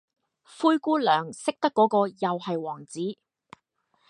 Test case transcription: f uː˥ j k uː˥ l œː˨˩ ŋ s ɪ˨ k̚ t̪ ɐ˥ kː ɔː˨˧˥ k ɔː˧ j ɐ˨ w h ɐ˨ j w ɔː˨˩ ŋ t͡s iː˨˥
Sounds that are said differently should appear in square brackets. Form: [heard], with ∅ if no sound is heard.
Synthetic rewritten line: f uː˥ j k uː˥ l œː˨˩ ŋ s [ɪ˥] k̚ t̪ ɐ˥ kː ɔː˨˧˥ k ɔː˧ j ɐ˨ w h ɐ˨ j w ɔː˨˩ ŋ t͡s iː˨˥

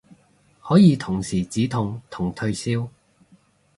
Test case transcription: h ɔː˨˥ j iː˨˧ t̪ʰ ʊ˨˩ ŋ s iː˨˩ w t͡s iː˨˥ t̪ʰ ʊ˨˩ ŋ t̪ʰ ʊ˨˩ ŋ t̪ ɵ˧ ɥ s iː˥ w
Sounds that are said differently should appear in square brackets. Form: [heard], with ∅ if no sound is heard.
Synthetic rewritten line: h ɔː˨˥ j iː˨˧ t̪ʰ ʊ˨˩ ŋ s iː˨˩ [∅] t͡s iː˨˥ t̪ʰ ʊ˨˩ ŋ t̪ʰ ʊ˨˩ ŋ [t̪ʰ] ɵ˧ ɥ s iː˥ w

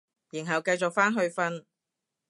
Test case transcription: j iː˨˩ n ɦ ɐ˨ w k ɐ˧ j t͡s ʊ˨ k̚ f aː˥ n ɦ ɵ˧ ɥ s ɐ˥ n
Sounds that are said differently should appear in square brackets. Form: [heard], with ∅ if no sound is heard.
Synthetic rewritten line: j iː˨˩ n ɦ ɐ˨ w k ɐ˧ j t͡s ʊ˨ k̚ f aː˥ n ɦ ɵ˧ ɥ [f] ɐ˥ n

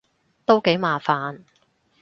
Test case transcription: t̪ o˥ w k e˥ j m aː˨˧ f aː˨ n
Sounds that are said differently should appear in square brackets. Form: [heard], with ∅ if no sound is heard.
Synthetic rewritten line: t̪ o˥ w k [e˨˥] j m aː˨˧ f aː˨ n

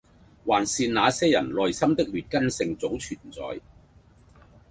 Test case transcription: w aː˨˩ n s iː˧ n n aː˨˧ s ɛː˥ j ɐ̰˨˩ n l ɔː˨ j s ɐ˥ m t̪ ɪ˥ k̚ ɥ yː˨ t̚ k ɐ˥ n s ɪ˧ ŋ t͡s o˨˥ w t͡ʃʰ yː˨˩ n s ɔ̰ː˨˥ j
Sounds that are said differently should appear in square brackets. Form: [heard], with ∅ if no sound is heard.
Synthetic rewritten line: w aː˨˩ n s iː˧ n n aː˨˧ s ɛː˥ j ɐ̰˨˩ n l ɔː˨ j s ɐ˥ m t̪ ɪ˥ k̚ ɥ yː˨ t̚ k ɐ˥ n s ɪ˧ ŋ t͡s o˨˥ w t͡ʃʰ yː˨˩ n [t͡s] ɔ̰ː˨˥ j

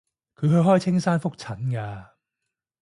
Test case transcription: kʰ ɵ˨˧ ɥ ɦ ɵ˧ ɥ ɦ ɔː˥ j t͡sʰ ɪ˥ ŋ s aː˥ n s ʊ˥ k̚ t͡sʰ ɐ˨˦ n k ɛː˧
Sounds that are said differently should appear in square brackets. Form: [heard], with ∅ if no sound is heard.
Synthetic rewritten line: kʰ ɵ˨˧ ɥ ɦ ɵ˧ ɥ ɦ ɔː˥ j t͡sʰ ɪ˥ ŋ s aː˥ n [f] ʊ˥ k̚ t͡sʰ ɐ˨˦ n k [aː˧]

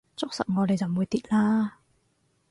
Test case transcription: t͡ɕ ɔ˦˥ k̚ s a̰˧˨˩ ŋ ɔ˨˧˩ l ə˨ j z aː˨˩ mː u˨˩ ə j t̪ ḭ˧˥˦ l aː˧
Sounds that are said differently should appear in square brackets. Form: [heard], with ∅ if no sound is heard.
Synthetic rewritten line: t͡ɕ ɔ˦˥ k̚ s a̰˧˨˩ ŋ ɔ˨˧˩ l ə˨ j z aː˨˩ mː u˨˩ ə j t̪ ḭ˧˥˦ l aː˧

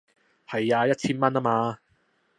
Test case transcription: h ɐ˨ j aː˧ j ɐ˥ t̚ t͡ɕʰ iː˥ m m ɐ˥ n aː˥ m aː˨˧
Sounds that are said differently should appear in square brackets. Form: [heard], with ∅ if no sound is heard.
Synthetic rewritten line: h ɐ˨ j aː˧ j ɐ˥ t̚ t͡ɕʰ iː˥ [n] m ɐ˥ n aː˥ m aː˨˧

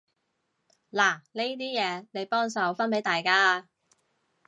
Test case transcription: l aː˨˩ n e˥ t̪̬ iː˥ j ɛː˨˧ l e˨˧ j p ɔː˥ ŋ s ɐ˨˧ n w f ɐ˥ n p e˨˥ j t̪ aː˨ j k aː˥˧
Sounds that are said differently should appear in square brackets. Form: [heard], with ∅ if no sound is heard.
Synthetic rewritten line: l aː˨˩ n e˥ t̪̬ iː˥ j ɛː˨˧ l e˨˧ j p ɔː˥ ŋ s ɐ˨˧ [∅] w f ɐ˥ n p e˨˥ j t̪ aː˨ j k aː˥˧

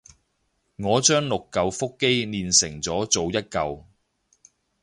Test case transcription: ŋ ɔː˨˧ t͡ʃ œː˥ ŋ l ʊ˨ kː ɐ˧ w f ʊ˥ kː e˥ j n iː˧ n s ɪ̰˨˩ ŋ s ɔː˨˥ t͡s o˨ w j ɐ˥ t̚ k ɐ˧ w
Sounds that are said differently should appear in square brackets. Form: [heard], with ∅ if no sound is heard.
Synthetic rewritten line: ŋ ɔː˨˧ t͡ʃ œː˥ ŋ l ʊ˨ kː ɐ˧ w f ʊ˥ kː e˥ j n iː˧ n s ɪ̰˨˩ ŋ [t͡s] ɔː˨˥ t͡s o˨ w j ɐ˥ t̚ k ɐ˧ w

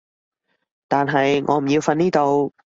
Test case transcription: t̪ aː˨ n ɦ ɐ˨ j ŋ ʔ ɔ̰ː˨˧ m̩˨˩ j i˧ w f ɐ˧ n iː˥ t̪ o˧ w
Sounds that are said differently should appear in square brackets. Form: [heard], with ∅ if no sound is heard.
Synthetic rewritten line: t̪ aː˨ n ɦ ɐ˨ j ŋ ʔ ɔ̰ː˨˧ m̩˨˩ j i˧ w f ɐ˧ n iː˥ t̪ o˧ w

